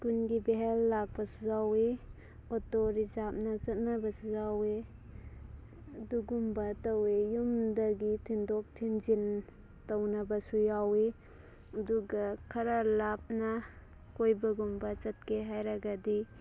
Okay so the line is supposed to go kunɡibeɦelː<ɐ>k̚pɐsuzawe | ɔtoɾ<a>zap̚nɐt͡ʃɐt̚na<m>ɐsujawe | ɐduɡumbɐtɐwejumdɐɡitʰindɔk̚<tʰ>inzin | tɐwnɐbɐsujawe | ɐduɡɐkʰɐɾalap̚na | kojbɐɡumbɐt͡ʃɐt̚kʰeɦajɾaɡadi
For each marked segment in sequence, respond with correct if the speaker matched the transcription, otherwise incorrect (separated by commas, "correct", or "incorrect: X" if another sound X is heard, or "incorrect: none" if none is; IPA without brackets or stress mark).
incorrect: a, incorrect: i, incorrect: b, correct